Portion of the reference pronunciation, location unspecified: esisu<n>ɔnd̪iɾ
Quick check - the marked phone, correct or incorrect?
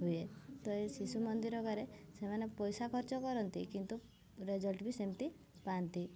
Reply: incorrect: m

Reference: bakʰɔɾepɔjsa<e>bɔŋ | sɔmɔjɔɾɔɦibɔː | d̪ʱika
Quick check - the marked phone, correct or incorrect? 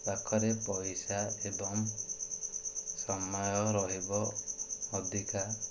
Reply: correct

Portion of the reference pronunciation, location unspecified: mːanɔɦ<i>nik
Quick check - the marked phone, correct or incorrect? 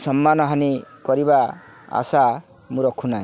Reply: incorrect: a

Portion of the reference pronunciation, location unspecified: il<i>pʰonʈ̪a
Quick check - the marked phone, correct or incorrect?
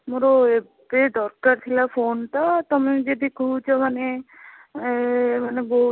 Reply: incorrect: a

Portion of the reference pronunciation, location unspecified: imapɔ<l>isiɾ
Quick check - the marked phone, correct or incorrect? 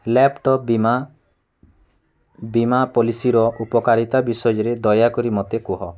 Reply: correct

